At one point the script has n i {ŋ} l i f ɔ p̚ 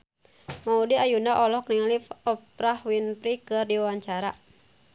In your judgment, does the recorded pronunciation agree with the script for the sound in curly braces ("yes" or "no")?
yes